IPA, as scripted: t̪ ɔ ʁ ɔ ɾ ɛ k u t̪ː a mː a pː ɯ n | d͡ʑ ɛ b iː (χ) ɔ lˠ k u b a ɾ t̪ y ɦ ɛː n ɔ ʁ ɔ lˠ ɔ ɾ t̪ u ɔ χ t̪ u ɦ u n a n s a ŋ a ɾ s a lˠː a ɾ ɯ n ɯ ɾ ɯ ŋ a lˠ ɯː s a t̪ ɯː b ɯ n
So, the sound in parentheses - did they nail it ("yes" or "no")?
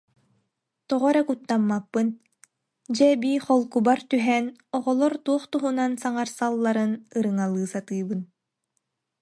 yes